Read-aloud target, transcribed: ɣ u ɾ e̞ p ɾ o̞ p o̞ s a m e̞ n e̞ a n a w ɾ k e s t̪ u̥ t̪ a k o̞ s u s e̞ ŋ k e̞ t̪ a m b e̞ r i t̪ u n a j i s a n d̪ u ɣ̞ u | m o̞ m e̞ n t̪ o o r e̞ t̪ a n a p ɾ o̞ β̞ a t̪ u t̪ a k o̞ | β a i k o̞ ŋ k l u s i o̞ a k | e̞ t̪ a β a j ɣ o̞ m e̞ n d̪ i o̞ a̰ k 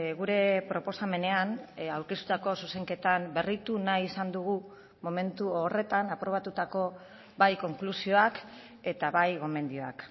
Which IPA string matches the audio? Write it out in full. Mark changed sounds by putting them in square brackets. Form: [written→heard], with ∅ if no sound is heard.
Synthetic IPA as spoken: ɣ u ɾ e̞ p ɾ o̞ p o̞ s a m e̞ n e̞ a n a w ɾ k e s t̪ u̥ t̪ a k o̞ s u s e̞ ŋ k e̞ t̪ a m b e̞ r i t̪ u n a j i s a n d̪ u ɣ̞ u | m o̞ m e̞ n t̪ [o→u] o r e̞ t̪ a n a p ɾ o̞ β̞ a t̪ u t̪ a k o̞ | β a [i→j] k o̞ ŋ k l u s i o̞ a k | e̞ t̪ a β a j ɣ o̞ m e̞ n d̪ i o̞ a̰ k